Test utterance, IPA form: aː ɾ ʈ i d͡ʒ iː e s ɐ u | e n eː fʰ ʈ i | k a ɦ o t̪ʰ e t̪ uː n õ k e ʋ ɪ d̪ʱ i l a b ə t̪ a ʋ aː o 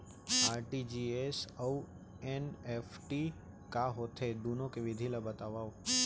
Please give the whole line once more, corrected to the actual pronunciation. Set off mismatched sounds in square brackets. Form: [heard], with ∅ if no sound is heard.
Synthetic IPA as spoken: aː ɾ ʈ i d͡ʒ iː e s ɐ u | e n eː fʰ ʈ i | k a ɦ o t̪ʰ e [d̪] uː n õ k e ʋ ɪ d̪ʱ i l a b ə t̪ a ʋ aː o